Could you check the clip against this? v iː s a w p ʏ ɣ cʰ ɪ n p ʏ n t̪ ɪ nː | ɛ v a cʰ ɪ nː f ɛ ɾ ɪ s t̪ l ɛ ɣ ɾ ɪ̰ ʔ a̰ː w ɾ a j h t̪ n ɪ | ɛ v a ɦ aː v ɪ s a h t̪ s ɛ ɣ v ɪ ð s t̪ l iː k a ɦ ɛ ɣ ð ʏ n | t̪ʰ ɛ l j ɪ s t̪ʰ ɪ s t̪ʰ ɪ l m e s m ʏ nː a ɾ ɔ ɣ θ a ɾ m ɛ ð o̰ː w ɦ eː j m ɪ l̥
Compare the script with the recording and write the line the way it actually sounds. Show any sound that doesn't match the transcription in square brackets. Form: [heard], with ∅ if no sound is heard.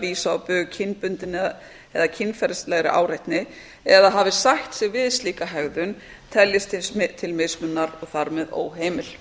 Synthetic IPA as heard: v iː s a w p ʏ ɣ cʰ ɪ n p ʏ n t̪ ɪ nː | ɛ [ð] a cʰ ɪ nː f ɛ ɾ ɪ s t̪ l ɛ ɣ ɾ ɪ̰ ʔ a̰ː w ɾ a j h t̪ n ɪ | ɛ [ð] a ɦ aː v ɪ s a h t̪ s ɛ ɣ v ɪ ð s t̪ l iː k a ɦ ɛ ɣ ð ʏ n | t̪ʰ ɛ l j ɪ s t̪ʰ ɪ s t̪ʰ ɪ l m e s m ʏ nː a ɾ ɔ ɣ θ a ɾ m ɛ ð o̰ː w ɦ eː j m ɪ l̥

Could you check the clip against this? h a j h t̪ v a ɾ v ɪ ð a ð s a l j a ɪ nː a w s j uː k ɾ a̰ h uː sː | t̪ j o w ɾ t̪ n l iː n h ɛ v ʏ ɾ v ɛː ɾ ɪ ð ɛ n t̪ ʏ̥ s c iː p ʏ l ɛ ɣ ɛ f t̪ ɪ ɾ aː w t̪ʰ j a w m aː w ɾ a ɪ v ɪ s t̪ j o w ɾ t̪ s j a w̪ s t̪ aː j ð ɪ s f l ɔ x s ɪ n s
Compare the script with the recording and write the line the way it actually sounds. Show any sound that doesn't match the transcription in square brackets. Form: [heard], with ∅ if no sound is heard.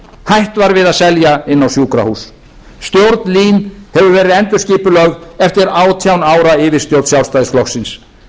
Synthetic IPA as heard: h a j h t̪ v a ɾ v ɪ ð a ð s [ɛ] l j a ɪ nː a w s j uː k ɾ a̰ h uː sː | t̪ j o w ɾ t̪ n l iː n h ɛ v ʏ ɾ v ɛː ɾ ɪ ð ɛ n t̪ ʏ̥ s c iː p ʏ l [œ] ɣ ɛ f t̪ ɪ ɾ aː w t̪ʰ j a w [n] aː w ɾ a ɪ v ɪ s t̪ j o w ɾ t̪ s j a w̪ s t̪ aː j ð ɪ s f l ɔ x s ɪ n s

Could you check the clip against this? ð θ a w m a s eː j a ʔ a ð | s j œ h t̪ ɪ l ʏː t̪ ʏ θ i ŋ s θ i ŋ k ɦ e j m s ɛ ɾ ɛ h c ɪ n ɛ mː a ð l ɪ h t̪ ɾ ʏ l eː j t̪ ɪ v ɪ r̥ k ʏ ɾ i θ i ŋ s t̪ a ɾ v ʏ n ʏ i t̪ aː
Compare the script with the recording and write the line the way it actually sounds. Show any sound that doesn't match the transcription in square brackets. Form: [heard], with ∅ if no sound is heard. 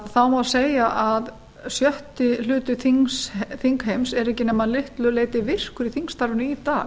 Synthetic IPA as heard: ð θ a w m a s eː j a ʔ a ð | s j œ h t̪ ɪ l ʏː t̪ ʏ θ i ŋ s θ i ŋ k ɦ e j m s ɛ ɾ ɛ h c ɪ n ɛ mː a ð l ɪ h t̪ [l] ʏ l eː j t̪ ɪ v ɪ r̥ k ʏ ɾ i θ i ŋ s t̪ a ɾ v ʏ n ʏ i t̪ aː

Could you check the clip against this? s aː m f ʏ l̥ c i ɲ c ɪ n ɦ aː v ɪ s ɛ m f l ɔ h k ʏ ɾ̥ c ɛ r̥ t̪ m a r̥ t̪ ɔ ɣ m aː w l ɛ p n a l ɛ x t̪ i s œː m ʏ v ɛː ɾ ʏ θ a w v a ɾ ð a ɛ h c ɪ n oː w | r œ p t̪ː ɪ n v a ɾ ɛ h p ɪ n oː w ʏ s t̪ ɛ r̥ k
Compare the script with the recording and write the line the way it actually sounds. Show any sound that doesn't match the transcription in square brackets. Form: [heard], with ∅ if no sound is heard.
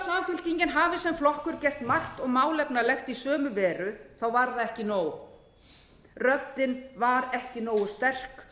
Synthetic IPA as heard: s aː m f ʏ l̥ c i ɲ c ɪ n ɦ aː v ɪ s ɛ m f l ɔ h k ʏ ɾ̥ c ɛ r̥ t̪ m a r̥ t̪ ɔ ɣ m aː w l ɛ p n a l ɛ x t̪ i s œː m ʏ v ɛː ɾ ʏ θ a w v a ɾ ð a ɛ h c ɪ n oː w | r œ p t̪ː ɪ n v a ɾ ɛ h [c] ɪ n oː w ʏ s t̪ ɛ r̥ k

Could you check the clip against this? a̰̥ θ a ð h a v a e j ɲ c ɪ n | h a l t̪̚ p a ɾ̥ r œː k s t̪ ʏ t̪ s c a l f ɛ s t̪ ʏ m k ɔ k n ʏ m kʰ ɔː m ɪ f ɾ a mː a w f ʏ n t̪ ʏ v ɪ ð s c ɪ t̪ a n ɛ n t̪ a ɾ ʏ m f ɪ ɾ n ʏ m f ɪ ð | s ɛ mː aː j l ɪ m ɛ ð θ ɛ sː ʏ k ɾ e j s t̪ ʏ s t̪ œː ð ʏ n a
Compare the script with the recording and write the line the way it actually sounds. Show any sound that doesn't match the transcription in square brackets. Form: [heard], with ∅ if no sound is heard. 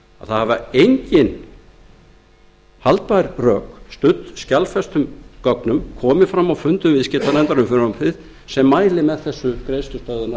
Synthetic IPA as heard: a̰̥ θ a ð h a v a e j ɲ c ɪ n | h a l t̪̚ p a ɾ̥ r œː k s t̪ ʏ t̪ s c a l f ɛ s t̪ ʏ m k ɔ k n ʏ m kʰ ɔː m ɪ f ɾ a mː a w f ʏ n t̪ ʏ v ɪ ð s c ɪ t̪ a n ɛ n t̪ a ɾ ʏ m f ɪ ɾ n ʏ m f ɪ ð | s ɛ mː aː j l ɪ m ɛ ð θ ɛ sː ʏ k ɾ e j s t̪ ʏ s t̪ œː ð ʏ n a

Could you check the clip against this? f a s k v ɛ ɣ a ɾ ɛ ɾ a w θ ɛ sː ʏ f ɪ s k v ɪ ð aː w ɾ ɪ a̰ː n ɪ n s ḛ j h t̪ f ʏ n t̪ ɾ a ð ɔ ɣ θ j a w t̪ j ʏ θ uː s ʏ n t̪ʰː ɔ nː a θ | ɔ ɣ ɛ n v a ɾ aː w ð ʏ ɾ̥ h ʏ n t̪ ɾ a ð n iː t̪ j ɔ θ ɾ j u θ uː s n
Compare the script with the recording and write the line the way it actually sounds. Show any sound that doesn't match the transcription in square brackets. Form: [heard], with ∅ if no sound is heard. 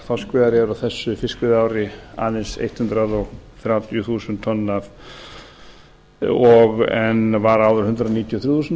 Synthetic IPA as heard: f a s k v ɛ [ð] a ɾ ɛ ɾ a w θ ɛ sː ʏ f ɪ s k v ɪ ð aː w ɾ ɪ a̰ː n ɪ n s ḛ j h t̪ [h] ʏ n t̪ ɾ a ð ɔ ɣ θ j a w t̪ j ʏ θ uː s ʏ n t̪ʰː ɔ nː a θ | ɔ ɣ ɛ n v a ɾ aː w ð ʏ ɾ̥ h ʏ n t̪ ɾ a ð n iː t̪ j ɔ θ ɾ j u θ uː s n

